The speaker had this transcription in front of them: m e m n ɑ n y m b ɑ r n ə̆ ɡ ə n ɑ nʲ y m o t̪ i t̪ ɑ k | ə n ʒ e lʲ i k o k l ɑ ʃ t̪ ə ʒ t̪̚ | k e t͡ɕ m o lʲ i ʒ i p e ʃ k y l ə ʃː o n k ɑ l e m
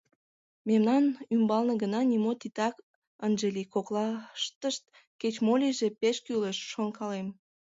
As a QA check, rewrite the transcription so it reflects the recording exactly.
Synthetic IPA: m e m n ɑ n y m b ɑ l n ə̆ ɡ ə n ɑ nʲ i m o t̪ i t̪ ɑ k | ə n ʒ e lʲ i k o k l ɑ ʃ t̪ ə ʃ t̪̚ | k e t͡ɕ m o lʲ i ʒ e p e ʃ k y l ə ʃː o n k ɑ l e m